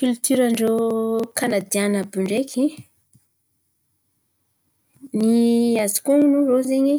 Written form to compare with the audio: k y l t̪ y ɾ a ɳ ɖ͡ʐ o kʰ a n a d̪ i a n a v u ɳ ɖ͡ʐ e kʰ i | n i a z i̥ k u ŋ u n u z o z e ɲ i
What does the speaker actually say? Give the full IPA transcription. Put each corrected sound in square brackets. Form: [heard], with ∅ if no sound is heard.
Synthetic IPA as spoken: k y l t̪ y ɾ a ɳ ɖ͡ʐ o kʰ a n a d̪ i a n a [b] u ɳ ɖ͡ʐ e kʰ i | n i a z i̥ k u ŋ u n u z o z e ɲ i